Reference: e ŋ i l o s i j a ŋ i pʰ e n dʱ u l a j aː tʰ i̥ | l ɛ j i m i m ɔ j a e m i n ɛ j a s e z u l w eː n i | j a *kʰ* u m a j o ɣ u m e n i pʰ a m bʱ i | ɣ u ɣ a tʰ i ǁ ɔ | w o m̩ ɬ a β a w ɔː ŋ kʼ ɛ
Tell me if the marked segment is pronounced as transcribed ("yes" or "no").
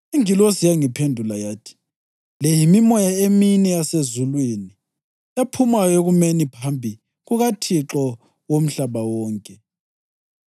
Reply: no